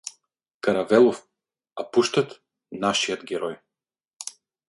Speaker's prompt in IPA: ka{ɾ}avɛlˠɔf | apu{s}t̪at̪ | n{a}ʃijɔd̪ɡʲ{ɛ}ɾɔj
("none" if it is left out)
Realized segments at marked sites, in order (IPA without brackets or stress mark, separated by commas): ɾ, ʃ, a, ɛ